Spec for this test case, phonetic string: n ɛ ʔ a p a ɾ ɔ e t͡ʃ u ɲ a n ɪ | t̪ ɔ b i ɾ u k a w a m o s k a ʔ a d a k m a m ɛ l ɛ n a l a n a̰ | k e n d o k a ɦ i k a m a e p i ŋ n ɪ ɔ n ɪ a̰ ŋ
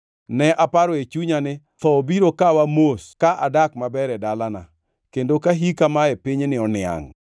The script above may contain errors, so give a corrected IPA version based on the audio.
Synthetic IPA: n ɛ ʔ a p a ɾ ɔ e t͡ʃ u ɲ a n ɪ | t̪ ɔ b i ɾ o k a w a m o s k a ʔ a d a k m a b ɛ ɾ ɛ d a l a n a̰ | k e n d o k a ɦ i k a m a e p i ɲ n ɪ ɔ n ɪ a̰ ŋ

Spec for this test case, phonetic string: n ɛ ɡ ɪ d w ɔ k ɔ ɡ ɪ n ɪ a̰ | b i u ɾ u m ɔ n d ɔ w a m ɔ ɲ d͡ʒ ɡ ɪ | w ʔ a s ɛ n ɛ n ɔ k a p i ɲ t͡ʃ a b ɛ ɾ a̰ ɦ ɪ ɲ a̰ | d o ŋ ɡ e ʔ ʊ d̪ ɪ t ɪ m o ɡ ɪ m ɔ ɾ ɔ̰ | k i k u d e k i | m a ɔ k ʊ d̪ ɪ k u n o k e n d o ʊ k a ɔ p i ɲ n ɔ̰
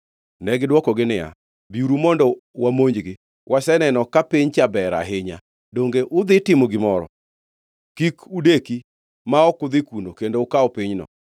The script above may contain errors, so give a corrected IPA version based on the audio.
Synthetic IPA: n ɛ ɡ ɪ d w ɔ k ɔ ɡ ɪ n ɪ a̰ | b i u ɾ u m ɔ n d ɔ w a m o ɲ d͡ʒ ɡ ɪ | w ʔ a s ɛ n ɛ n ɔ k a p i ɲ t͡ʃ a b ɛ ɾ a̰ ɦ ɪ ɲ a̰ | d o ŋ ɡ e ʔ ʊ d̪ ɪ t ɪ m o ɡ ɪ m ɔ ɾ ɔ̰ | k i k u d e k i | m a ɔ k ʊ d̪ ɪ k u n o k e n d o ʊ k a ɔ p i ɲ n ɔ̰

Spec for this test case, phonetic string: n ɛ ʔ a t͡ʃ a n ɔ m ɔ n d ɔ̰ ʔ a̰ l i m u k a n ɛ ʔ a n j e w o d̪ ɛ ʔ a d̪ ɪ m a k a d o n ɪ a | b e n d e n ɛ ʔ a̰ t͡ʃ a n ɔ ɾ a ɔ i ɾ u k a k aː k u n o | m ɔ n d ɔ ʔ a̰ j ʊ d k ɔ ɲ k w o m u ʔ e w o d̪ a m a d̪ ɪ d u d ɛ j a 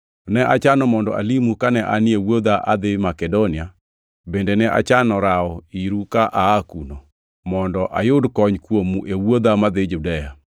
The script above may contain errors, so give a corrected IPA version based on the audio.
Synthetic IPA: n ɛ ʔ a t͡ʃ a n ɔ m ɔ n d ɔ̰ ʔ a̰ l i m u k a n ɛ ʔ a n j e w o d̪ a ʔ a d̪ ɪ m a k ɛ d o n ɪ a | b e n d e n ɛ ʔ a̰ t͡ʃ a n ɔ ɾ a ɔ i ɾ u k a ʔ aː k u n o | m ɔ n d ɔ ʔ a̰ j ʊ d k ɔ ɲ k w o m u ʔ e w o d̪ a m a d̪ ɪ d͡ʒ u d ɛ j a

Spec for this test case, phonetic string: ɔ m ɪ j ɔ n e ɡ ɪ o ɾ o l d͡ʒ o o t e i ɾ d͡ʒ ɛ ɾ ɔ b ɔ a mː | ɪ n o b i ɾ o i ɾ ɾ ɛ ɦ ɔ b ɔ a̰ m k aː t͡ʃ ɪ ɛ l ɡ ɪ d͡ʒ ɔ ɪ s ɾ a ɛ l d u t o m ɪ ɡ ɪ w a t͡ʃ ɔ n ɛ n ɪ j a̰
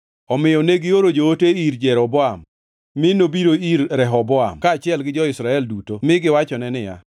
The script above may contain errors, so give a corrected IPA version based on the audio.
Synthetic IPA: ɔ m ɪ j ɔ n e ɡ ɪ o ɾ o d͡ʒ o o t e i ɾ d͡ʒ ɛ ɾ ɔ b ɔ a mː | ɪ n o b i ɾ o i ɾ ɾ ɛ ɦ ɔ b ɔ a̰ m k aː t͡ʃ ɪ ɛ l ɡ ɪ d͡ʒ ɔ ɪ s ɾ a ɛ l d u t o m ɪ ɡ ɪ w a t͡ʃ ɔ n ɛ n ɪ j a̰

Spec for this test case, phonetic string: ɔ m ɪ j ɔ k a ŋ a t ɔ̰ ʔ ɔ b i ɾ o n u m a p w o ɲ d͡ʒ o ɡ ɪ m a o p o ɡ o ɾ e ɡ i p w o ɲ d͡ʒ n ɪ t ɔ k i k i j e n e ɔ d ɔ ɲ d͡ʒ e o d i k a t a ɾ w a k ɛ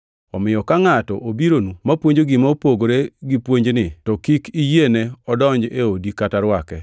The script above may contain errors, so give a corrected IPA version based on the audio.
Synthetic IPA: ɔ m ɪ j ɔ k a ŋ a t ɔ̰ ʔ o b i ɾ o n u m a p w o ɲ d͡ʒ o ɡ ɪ m a o p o ɡ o ɾ e ɡ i p w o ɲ d͡ʒ n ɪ t ɔ k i k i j e n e ɔ d ɔ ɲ d͡ʒ e o d i k a t a ɾ w a k ɛ

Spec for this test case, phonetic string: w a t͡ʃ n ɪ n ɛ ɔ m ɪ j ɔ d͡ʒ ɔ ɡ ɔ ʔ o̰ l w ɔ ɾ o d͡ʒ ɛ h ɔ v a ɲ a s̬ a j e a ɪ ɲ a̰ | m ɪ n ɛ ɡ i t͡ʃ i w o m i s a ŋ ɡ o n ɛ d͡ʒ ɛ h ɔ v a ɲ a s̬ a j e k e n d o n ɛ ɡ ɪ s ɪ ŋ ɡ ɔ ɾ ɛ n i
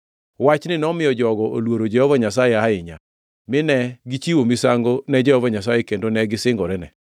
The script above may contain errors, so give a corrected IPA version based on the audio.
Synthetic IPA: w a t͡ʃ n ɪ n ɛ ɔ m ɪ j ɔ d͡ʒ ɔ ɡ ɔ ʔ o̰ l w o ɾ o d͡ʒ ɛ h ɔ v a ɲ a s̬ a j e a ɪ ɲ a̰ | m ɪ n ɛ ɡ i t͡ʃ i w o m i s a ŋ ɡ o n ɛ d͡ʒ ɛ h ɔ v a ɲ a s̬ a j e k e n d o n ɛ ɡ ɪ s ɪ ŋ ɡ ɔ ɾ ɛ n ɛ

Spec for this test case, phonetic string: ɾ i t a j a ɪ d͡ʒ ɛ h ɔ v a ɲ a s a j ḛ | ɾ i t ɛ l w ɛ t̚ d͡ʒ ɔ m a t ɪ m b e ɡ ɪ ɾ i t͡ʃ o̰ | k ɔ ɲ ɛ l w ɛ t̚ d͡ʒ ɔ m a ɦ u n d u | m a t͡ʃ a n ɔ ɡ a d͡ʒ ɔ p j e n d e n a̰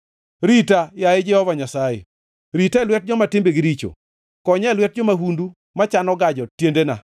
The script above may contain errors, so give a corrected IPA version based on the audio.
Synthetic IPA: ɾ i t a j a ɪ d͡ʒ ɛ h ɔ v a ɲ a s a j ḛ | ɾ i t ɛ l w ɛ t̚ d͡ʒ ɔ m a t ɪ m b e ɡ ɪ ɾ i t͡ʃ o̰ | k ɔ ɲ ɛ l w ɛ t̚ d͡ʒ ɔ m a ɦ u n d u | m a t͡ʃ a n ɔ ɡ a d͡ʒ ɔ t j e n d e n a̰

